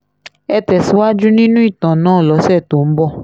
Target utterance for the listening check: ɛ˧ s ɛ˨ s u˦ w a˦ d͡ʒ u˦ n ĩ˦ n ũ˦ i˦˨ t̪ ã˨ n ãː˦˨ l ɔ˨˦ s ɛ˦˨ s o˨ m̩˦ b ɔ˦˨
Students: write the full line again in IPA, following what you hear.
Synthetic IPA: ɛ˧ t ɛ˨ s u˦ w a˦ d͡ʒ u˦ n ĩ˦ n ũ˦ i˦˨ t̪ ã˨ n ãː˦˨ l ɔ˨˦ s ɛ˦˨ t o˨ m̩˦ b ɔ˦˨